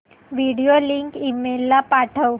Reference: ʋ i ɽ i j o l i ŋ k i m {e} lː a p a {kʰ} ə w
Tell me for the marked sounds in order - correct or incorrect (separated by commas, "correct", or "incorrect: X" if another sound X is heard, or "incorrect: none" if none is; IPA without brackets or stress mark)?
correct, incorrect: ʈʰ